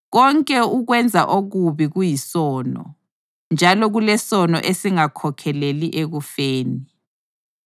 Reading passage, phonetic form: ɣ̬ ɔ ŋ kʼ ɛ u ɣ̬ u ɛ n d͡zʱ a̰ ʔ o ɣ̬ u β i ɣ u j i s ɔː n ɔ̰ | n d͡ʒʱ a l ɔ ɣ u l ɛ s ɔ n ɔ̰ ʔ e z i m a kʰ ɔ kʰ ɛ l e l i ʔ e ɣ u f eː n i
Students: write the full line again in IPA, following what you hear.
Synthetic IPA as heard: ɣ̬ ɔ ŋ kʼ ɛ u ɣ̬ w ɛ n d͡zʱ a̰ ʔ o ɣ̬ u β i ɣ u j i s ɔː n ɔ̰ | n d͡ʒʱ a l ɔ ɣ u l ɛ s ɔ n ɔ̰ ʔ e s i ŋ a kʰ ɔ kʰ ɛ l e l i ʔ e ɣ u f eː n i